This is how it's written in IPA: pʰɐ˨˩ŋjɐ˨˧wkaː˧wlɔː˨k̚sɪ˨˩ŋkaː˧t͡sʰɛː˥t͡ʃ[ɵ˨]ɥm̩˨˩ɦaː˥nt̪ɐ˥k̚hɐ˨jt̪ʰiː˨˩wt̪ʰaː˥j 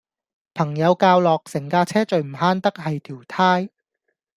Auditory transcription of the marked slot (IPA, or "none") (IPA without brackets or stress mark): ɵ˨